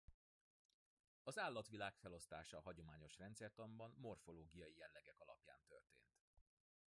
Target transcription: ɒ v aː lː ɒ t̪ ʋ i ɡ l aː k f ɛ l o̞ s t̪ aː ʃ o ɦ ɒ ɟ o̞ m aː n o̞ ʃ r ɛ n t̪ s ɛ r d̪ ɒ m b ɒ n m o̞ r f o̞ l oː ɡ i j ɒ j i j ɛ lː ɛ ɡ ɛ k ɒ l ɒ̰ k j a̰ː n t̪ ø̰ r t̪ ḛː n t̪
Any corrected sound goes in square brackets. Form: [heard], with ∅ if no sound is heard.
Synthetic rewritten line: ɒ [z] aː lː ɒ t̪ ʋ i [∅] l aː k f ɛ l o̞ s t̪ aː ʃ [ɒ] ɦ ɒ ɟ o̞ m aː [ɲ] o̞ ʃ r ɛ n t̪ s ɛ r [t̪] ɒ m b ɒ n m o̞ r f o̞ l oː ɡ i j ɒ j i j ɛ lː ɛ ɡ ɛ k ɒ l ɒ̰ [p] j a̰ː n t̪ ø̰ r t̪ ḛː n t̪